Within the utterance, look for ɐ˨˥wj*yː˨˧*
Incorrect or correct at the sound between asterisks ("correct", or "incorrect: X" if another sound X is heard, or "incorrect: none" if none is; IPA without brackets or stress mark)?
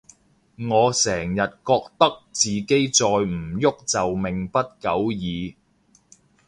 incorrect: iː˨˧